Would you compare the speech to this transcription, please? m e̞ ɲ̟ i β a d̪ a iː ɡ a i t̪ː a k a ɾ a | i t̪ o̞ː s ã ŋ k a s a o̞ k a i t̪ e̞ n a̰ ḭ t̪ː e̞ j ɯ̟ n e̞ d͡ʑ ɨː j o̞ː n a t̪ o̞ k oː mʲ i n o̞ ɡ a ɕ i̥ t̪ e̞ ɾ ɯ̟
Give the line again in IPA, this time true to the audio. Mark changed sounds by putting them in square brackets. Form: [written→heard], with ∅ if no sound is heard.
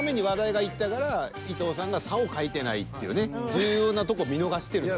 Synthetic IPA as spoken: m e̞ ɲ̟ i β a d̪ a [iː→i] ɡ a i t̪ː a k a ɾ a | i t̪ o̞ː s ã ŋ [k→ɡ] a s a o̞ k a i t̪ e̞ n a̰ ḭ t̪ː e̞ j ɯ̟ n e̞ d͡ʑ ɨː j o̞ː n a t̪ o̞ k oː mʲ i n o̞ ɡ a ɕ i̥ t̪ e̞ ɾ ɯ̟